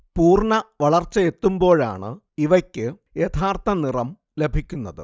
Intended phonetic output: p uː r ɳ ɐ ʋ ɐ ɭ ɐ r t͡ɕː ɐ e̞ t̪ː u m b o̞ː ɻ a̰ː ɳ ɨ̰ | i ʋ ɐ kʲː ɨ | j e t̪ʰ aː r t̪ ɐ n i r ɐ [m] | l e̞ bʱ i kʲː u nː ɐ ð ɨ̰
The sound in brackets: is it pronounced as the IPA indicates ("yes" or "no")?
yes